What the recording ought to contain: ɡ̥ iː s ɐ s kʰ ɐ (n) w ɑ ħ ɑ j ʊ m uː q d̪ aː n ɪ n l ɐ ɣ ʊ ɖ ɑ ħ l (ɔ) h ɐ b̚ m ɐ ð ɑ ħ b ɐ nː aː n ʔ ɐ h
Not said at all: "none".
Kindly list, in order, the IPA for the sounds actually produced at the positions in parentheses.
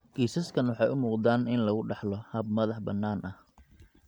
n, ɔ

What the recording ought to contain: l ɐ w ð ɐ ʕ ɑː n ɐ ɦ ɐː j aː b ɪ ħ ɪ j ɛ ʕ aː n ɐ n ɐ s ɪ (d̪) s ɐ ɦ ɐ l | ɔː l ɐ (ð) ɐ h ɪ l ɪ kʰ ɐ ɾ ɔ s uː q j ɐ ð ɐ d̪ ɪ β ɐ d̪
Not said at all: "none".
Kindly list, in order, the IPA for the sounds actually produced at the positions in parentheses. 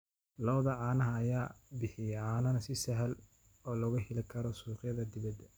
none, ɣ

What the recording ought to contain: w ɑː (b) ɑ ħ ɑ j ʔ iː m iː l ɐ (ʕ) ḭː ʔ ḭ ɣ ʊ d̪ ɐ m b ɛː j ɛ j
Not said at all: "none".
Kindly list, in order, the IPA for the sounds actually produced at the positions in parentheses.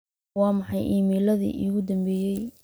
m, ð

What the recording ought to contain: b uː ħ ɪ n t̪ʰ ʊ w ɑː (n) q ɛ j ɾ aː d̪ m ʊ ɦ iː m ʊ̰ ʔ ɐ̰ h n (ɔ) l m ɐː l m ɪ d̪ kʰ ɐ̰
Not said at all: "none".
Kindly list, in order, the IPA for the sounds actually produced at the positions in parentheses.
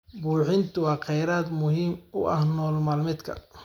none, ɔː

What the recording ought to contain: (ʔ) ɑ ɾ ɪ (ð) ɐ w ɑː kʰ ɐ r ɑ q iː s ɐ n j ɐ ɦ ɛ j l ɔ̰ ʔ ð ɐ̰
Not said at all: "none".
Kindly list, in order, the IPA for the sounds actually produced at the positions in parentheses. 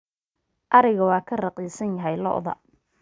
ʔ, ɣ

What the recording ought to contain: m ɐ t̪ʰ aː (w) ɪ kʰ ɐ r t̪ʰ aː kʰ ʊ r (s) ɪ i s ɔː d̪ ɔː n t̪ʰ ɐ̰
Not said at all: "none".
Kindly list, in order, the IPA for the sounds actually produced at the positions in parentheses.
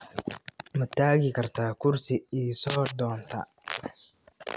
ɣ, s

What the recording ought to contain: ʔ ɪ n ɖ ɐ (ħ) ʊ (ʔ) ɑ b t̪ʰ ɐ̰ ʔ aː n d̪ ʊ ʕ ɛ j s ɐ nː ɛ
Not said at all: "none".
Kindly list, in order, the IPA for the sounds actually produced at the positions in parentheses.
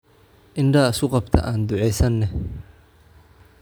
s, q

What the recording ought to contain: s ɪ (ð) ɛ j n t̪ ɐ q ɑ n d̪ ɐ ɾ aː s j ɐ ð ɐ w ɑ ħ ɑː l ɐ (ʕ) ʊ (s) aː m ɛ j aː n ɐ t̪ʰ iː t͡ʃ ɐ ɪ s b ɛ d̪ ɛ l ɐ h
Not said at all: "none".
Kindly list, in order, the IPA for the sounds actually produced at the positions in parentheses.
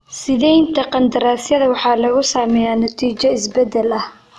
ð, ɣ, s

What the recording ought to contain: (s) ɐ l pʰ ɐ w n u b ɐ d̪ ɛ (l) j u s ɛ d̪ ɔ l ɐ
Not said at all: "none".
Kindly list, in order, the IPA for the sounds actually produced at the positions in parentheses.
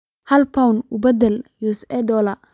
h, l

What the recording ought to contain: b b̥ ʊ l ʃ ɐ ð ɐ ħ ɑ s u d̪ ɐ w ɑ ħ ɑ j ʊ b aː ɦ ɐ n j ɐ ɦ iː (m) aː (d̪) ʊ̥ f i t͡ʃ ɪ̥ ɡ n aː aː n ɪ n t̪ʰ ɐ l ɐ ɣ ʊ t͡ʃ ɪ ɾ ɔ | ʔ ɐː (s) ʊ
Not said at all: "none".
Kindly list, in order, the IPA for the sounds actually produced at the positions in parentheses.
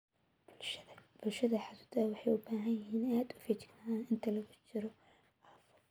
n, d̪, f

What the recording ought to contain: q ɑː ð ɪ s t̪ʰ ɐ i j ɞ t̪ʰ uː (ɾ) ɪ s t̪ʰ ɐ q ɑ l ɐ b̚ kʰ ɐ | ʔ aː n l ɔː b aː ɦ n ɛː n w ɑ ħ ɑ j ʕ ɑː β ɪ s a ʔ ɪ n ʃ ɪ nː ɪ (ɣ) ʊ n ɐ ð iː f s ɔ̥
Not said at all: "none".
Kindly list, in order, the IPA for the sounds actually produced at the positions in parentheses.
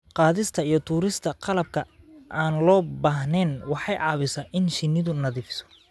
ɾ, ð

